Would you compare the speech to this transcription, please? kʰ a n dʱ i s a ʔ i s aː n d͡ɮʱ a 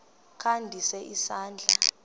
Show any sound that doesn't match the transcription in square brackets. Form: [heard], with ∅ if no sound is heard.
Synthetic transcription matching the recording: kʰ a n dʱ i s [ɛ] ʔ i s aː n d͡ɮʱ a